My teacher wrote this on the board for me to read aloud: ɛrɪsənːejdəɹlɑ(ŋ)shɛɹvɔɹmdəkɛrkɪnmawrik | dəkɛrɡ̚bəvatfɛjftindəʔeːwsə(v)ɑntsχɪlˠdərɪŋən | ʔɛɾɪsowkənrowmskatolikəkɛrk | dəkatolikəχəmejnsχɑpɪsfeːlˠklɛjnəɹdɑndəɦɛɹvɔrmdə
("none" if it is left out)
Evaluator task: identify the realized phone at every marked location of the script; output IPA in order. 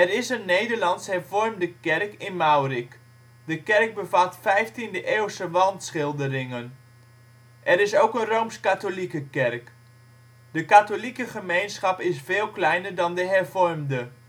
n, ʋ

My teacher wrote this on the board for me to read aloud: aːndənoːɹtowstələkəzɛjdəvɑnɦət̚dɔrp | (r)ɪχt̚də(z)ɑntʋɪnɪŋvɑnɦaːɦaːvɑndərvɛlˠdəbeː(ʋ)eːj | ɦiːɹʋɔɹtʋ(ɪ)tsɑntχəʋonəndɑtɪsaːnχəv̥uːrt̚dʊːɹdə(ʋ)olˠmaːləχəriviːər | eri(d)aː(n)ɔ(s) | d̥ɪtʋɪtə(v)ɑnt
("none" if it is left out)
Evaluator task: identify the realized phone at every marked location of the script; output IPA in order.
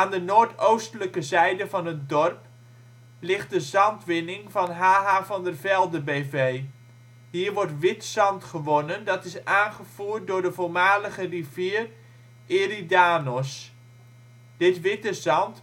l, z, v, ɪ, v, d, n, s, z

